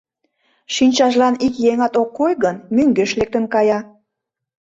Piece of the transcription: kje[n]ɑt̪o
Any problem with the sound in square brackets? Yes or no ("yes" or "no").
yes